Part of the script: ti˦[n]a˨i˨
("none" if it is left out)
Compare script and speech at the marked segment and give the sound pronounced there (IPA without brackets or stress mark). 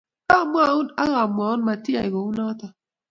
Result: none